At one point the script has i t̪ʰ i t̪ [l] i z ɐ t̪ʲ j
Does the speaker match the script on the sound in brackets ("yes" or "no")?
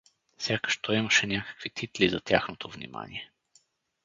yes